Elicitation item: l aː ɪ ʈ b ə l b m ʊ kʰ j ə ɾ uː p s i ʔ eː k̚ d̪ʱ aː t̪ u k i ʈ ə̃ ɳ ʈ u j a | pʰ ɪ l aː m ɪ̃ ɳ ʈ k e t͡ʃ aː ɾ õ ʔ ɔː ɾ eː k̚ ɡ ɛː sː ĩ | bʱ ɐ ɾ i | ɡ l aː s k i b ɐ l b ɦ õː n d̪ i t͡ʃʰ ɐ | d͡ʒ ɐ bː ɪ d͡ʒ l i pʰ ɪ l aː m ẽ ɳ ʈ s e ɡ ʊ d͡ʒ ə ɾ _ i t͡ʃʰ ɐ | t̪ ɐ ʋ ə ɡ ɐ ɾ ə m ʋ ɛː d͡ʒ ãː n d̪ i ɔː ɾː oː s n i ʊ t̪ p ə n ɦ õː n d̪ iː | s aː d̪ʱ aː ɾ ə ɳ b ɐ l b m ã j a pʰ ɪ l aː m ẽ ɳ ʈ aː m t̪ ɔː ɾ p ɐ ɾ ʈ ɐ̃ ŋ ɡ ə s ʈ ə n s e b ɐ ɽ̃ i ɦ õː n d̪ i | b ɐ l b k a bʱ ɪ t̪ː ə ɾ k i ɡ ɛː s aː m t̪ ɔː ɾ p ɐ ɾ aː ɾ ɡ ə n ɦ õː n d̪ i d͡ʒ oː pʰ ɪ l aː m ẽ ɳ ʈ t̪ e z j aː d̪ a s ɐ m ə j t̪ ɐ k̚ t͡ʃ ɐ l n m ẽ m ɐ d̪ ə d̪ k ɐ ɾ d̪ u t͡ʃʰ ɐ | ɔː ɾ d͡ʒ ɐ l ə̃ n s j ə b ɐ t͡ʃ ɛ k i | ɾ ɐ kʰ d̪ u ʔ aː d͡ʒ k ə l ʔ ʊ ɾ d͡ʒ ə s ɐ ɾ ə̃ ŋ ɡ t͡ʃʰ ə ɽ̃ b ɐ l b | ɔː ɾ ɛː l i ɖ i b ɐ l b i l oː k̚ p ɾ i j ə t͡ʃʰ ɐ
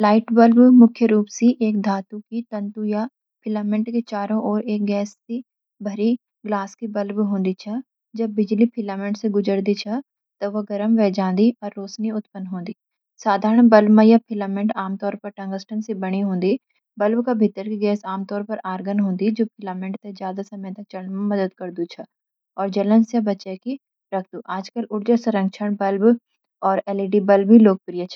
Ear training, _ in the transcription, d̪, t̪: d̪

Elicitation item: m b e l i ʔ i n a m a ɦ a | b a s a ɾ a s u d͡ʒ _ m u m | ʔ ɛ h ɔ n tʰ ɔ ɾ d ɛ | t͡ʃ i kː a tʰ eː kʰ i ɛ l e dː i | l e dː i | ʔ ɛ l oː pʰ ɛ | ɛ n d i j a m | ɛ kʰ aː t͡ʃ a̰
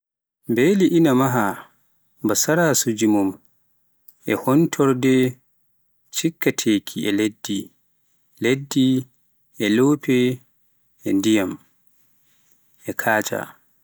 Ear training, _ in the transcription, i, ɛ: i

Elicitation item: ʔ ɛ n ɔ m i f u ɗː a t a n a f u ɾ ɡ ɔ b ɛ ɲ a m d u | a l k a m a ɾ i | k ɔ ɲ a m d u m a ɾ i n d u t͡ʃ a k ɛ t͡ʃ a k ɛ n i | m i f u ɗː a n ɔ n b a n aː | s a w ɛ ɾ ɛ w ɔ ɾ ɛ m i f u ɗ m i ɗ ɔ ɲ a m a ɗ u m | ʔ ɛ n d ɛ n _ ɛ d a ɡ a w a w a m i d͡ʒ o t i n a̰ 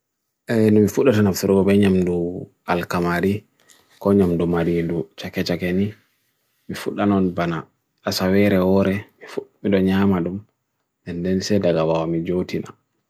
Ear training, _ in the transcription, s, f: s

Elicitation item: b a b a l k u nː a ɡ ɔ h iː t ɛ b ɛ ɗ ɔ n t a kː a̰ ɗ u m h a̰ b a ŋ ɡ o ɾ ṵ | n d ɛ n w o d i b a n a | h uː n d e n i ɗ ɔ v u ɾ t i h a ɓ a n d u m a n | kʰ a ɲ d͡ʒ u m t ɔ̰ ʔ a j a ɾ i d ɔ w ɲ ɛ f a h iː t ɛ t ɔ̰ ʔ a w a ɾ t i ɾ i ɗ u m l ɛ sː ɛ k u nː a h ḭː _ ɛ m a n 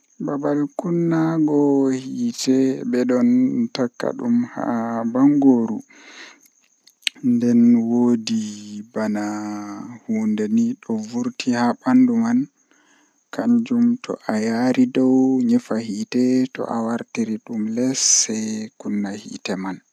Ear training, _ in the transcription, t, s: t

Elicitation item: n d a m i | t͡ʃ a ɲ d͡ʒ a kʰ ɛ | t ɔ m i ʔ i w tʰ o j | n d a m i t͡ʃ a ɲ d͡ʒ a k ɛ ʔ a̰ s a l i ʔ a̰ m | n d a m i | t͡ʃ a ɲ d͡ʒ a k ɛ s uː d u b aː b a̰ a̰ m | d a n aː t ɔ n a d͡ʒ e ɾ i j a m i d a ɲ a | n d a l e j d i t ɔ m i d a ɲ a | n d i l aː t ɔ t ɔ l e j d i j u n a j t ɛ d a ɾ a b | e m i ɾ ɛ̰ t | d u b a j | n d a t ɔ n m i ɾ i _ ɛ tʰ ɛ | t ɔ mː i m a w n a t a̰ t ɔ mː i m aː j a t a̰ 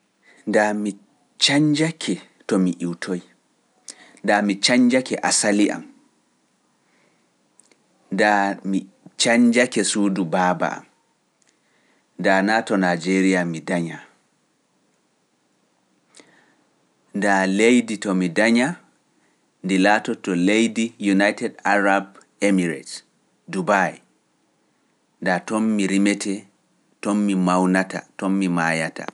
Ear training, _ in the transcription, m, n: m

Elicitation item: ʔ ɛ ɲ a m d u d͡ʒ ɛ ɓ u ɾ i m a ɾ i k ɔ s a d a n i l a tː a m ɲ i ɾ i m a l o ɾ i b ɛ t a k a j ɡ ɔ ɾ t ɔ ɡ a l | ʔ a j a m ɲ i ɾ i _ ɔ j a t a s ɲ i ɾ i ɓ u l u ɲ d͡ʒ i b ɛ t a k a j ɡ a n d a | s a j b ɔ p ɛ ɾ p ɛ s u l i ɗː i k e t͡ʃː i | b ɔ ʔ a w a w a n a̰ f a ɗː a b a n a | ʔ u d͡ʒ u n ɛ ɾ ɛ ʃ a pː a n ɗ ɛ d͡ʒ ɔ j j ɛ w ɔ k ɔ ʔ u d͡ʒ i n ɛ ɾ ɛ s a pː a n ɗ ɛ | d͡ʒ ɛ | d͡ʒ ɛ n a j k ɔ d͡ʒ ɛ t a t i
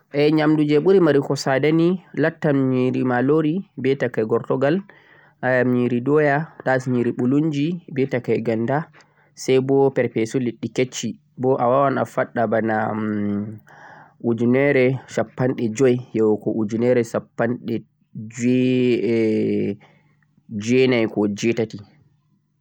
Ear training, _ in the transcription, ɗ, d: d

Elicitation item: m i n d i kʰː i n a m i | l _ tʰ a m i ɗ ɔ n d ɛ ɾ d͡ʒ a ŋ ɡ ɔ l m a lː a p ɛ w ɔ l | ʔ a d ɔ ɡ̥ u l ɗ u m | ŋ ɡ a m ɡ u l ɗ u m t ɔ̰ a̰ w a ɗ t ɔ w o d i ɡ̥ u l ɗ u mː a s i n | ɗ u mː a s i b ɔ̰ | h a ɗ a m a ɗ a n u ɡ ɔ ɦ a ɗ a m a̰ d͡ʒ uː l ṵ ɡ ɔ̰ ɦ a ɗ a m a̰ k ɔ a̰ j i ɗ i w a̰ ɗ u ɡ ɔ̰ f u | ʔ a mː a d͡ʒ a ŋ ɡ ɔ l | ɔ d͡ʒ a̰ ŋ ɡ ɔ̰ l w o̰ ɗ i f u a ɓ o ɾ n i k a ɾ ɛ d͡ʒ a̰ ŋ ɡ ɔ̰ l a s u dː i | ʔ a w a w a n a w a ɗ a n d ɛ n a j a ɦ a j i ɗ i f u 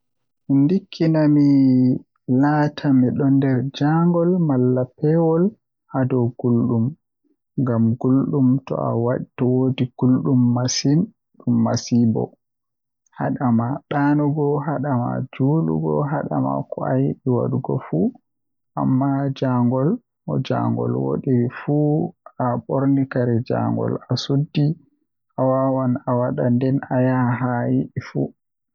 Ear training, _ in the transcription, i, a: a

